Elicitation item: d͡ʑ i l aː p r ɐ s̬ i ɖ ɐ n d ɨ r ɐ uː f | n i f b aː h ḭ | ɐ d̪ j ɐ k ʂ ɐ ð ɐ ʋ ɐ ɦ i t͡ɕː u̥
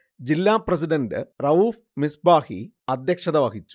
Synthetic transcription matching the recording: d͡ʑ i lː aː p r ɐ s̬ i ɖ ɐ n d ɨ r ɐ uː f | m i s b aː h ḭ | ɐ d̪ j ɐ k ʂ ɐ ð ɐ ʋ ɐ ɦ i t͡ɕː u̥